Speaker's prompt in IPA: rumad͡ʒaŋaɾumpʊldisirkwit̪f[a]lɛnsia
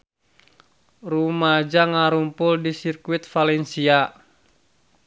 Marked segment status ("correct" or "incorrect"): correct